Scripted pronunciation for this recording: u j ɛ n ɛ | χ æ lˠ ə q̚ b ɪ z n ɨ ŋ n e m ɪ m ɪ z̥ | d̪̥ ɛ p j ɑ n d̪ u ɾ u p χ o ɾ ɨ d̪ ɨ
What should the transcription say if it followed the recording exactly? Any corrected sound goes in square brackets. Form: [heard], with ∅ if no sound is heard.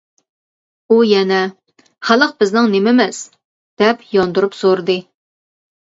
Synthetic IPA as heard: u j ɛ n ɛ | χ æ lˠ ə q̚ b ɪ z n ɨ ŋ n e m ɪ m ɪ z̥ | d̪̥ ɛ p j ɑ n d̪ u ɾ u p [s] o ɾ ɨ d̪ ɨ